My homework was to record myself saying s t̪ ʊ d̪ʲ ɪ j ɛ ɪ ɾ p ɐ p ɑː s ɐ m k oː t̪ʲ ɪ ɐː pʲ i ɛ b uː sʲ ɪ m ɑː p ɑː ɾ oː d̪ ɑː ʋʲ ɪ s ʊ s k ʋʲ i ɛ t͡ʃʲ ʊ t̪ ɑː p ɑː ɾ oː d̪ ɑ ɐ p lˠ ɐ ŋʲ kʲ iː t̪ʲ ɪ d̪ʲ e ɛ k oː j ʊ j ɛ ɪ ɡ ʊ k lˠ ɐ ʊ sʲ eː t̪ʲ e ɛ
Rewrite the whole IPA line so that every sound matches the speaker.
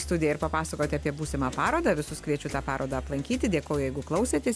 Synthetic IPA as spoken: s t̪ ʊ d̪ʲ ɪ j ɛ ɪ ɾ p ɐ p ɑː s ɐ k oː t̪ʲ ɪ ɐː pʲ i ɛ b uː sʲ ɪ m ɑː p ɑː ɾ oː d̪ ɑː ʋʲ ɪ s ʊ s k ʋʲ i ɛ t͡ʃʲ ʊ t̪ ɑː p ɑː ɾ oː d̪ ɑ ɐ p lˠ ɐ ŋʲ kʲ iː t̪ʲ ɪ d̪ʲ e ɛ k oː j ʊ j ɛ ɪ ɡ ʊ k lˠ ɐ ʊ sʲ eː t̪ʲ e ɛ